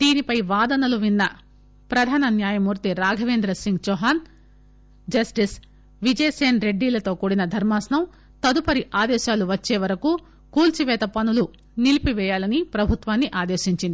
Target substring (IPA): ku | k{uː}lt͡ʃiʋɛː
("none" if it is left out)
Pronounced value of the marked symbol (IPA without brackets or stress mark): uː